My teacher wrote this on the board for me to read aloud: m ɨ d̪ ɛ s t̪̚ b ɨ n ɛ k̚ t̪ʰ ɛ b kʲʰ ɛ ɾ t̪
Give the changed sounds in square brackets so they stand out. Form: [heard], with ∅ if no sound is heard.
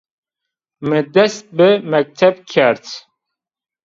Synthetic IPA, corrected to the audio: m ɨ d̪ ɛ s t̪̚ b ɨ [m] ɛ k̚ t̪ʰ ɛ b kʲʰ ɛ ɾ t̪